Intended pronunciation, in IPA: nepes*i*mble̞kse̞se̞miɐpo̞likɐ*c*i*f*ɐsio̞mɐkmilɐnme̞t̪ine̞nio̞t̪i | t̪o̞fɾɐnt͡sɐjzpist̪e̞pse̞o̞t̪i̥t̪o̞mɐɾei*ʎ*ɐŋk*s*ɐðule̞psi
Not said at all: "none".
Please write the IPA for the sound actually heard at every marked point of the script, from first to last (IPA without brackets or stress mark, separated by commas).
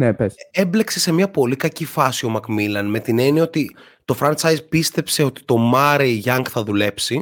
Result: e, c, f, ʝ, θ